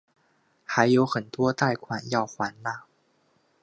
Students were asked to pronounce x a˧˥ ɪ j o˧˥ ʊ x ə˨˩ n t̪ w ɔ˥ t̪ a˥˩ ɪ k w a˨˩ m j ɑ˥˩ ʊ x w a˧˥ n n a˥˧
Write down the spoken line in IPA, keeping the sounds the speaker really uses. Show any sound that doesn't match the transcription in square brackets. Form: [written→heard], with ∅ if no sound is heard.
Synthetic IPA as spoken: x a˧˥ ɪ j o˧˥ ʊ x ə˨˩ n t̪ w ɔ˥ t̪ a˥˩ ɪ [k→kʰ] w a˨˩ [m→n] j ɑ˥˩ ʊ x w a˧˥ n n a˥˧